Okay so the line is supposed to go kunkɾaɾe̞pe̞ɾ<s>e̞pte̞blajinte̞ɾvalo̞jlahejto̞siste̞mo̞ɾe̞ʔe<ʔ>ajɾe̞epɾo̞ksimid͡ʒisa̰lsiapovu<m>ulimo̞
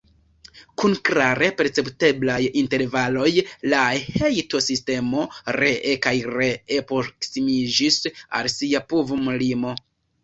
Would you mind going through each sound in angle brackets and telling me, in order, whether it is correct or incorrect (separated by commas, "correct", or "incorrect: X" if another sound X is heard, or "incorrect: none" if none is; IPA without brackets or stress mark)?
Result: incorrect: t͡s, incorrect: k, correct